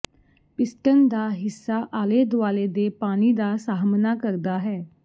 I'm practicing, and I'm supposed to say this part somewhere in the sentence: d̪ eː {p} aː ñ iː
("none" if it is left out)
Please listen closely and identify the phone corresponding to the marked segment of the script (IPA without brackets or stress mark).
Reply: p